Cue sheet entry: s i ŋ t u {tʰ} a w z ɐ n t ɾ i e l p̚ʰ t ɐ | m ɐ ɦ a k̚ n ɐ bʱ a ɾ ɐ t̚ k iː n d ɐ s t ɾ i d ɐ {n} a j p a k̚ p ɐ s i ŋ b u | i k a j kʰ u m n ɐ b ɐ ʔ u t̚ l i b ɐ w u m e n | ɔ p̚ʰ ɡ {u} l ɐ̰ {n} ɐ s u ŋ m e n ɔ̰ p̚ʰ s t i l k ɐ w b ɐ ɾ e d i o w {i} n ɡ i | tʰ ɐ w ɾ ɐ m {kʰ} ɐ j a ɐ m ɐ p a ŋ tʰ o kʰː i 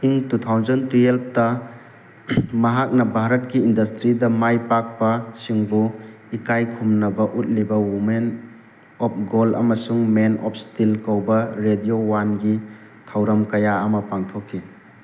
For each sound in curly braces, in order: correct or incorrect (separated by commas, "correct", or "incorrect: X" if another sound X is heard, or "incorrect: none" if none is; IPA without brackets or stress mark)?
correct, incorrect: m, incorrect: o, incorrect: m, incorrect: a, incorrect: k